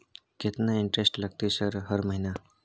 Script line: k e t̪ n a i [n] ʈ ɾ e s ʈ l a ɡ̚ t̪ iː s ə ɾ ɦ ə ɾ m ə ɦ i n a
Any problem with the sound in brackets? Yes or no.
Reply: yes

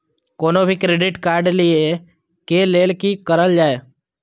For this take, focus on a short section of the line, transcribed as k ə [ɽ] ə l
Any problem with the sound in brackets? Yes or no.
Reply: yes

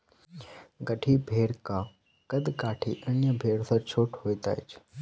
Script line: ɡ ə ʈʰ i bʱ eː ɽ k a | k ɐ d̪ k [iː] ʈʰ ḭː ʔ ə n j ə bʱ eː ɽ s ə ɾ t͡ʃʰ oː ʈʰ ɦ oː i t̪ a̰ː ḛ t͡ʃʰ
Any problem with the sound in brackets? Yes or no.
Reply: yes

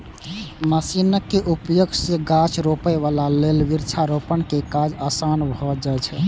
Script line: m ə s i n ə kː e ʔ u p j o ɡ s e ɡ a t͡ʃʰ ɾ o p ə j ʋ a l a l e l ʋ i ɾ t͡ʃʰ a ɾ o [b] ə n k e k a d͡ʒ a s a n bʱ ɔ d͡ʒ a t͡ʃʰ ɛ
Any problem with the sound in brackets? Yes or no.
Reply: yes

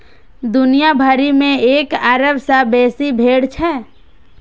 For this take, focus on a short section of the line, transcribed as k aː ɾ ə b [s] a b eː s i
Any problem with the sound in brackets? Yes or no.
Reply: no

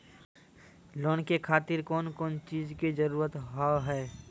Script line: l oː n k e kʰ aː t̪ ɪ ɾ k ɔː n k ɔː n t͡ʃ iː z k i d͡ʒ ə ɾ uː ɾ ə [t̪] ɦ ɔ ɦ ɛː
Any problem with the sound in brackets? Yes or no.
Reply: no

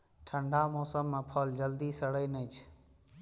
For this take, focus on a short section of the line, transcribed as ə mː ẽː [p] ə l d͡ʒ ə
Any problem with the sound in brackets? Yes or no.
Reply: yes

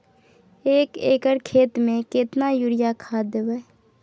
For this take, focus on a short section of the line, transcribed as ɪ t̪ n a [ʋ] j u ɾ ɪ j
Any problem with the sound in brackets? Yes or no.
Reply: yes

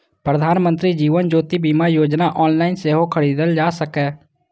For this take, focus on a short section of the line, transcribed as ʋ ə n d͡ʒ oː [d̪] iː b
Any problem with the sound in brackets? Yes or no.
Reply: yes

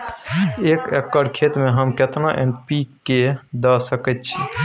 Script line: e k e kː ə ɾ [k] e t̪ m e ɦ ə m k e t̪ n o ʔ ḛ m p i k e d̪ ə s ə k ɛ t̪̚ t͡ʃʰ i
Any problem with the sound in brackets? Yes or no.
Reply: yes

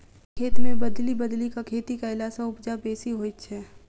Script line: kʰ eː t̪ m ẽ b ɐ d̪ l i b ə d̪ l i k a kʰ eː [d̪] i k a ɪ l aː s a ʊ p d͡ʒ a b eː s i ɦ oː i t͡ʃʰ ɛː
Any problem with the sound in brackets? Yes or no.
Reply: yes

